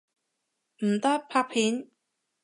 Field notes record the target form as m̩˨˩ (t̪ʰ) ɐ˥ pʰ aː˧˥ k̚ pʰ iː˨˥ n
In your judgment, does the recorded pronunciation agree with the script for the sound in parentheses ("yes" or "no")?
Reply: no